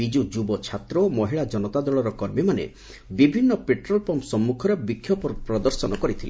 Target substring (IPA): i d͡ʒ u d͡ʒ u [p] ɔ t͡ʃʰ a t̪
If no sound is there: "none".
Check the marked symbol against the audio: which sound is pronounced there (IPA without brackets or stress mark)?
b